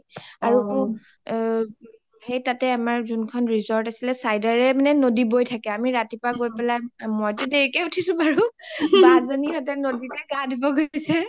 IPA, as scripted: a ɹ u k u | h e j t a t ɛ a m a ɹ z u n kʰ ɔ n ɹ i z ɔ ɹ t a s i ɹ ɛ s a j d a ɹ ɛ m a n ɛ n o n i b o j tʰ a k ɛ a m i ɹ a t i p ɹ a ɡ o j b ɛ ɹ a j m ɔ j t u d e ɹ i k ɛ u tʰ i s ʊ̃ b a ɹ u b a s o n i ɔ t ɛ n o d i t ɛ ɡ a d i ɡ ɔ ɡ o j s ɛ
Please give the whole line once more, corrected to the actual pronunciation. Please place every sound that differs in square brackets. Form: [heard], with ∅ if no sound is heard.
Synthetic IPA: a ɹ u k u | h e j t a t ɛ a m a ɹ z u n kʰ ɔ n ɹ i z ɔ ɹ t a s i [l] ɛ s a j d a ɹ ɛ m a n ɛ n o [d] i b o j tʰ a k ɛ a m i ɹ a t i p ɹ a ɡ o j [p] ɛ [l] a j m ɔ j t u d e ɹ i k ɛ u tʰ i s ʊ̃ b a ɹ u b a [z] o n i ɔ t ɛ n o d i t ɛ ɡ a d i [b] ɔ ɡ o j s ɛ